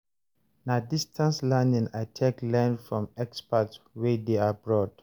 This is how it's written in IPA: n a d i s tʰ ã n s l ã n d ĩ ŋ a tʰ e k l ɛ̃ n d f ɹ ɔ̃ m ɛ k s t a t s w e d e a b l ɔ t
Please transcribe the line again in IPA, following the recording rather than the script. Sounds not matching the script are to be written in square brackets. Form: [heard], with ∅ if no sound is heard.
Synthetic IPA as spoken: n a d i s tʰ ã n s l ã n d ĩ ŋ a tʰ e k l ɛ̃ n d f ɹ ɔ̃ m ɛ k s [p] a t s w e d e a b [ɹ] ɔ t